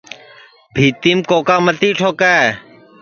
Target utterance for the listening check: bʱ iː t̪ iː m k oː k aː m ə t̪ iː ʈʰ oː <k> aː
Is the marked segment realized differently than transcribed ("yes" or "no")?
no